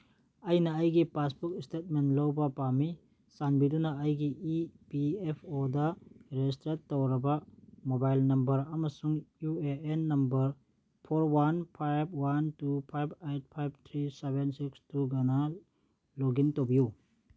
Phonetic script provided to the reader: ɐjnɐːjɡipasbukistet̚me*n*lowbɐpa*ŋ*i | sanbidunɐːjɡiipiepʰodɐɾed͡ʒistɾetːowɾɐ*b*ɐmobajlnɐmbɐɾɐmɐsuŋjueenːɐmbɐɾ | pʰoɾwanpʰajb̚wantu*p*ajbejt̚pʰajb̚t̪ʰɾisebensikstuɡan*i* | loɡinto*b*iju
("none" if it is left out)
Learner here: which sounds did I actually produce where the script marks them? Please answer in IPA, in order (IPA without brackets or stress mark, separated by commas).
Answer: n, m, b, pʰ, a, b